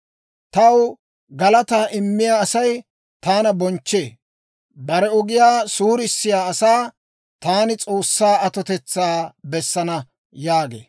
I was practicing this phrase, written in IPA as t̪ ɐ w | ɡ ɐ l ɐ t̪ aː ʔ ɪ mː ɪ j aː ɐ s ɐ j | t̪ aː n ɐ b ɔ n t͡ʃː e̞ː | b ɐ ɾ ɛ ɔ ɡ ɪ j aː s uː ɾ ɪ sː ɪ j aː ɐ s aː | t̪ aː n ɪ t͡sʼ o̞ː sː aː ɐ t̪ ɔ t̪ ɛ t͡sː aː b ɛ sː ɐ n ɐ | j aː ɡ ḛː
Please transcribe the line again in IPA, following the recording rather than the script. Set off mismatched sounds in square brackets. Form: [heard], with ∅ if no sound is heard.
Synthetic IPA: t̪ ɐ w | ɡ ɐ l ɐ t̪ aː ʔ ɪ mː ɪ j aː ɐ s ɐ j | t̪ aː n ɐ b ɔ n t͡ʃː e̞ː | b ɐ ɾ ɛ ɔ ɡ ɪ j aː s uː ɾ ɪ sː ɪ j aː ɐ s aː | t̪ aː n ɪ t͡sʼ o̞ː sː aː ɐ t̪ ɔ t̪ ɛ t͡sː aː b ɛ sː ɐ n ɐ | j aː ɡ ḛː